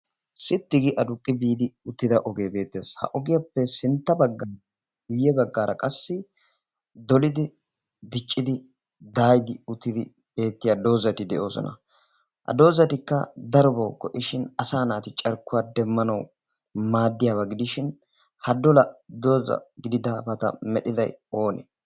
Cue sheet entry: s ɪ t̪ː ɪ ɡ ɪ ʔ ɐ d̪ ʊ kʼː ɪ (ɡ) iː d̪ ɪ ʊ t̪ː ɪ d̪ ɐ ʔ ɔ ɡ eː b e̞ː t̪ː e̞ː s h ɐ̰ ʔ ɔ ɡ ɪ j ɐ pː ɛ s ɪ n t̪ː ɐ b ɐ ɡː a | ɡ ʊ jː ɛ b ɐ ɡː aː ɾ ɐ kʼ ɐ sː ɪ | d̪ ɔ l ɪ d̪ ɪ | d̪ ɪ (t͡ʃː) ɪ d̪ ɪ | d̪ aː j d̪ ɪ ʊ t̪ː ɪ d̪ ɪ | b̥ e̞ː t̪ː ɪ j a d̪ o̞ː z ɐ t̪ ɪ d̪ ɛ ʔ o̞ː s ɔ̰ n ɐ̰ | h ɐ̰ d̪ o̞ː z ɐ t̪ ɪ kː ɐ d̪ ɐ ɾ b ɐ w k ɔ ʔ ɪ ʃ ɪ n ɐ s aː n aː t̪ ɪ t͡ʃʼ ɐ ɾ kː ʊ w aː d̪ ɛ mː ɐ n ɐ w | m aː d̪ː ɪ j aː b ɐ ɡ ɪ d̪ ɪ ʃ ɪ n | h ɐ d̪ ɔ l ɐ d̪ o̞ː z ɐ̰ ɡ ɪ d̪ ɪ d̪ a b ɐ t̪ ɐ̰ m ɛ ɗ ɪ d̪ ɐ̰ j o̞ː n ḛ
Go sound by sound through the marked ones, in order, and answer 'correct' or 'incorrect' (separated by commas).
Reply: incorrect, incorrect